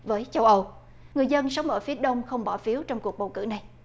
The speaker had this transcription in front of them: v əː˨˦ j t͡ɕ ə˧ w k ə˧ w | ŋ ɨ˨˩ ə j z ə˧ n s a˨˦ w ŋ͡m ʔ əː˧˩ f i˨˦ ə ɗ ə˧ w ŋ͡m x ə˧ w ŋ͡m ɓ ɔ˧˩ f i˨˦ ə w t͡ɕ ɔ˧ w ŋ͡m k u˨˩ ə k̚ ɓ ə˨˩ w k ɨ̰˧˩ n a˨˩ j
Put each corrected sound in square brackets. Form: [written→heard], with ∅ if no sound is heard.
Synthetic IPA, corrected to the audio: v əː˨˦ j t͡ɕ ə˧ w [k→ʔ] ə˧ w | ŋ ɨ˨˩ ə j z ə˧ n s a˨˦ w ŋ͡m ʔ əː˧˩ f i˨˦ ə ɗ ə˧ w ŋ͡m x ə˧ w ŋ͡m ɓ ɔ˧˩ f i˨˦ ə w t͡ɕ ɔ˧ w ŋ͡m k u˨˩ ə k̚ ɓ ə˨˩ w k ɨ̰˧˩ n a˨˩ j